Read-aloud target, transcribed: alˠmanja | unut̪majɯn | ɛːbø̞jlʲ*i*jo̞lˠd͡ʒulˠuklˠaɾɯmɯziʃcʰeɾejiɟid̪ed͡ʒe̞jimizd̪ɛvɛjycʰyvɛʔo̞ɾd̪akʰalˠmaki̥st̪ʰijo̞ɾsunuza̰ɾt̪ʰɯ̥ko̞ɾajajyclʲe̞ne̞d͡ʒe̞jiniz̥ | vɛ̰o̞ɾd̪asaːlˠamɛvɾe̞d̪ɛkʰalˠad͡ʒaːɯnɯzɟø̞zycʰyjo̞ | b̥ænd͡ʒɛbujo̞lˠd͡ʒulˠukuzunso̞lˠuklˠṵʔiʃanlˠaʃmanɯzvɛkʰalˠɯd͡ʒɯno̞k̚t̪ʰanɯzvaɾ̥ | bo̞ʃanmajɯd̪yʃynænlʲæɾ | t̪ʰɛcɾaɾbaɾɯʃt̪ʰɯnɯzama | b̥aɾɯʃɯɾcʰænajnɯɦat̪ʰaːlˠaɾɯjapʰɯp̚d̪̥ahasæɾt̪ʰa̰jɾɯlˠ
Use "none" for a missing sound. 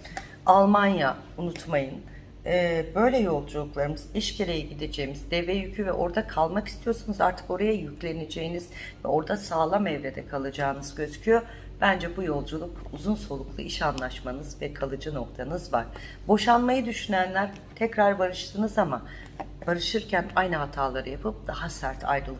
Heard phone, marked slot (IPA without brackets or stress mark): ɛ